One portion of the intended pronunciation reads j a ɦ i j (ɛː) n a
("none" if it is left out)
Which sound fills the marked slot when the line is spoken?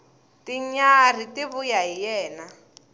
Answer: ɛː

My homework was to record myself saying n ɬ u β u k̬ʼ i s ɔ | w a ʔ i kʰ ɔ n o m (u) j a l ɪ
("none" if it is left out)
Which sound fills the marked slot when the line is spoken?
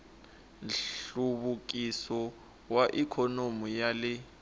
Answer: u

